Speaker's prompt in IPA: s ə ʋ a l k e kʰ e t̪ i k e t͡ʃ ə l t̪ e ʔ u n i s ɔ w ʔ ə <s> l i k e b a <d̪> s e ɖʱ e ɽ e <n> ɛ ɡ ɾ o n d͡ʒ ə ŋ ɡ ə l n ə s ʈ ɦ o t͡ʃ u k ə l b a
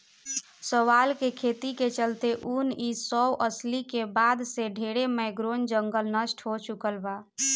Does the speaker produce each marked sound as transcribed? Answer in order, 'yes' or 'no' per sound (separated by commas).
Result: yes, yes, no